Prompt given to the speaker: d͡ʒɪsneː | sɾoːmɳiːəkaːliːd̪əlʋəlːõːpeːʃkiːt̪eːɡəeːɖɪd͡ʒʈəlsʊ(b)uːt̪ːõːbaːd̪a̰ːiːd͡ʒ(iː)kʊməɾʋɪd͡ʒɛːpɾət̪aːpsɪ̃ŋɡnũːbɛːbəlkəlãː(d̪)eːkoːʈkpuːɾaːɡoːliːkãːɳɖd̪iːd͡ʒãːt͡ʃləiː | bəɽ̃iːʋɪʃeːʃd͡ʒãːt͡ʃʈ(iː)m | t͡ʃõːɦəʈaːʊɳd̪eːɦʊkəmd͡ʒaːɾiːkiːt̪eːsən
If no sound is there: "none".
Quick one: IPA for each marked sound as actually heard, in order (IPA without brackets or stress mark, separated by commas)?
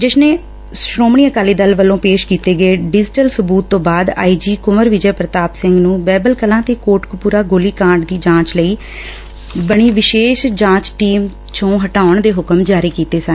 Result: b, iː, t̪, iː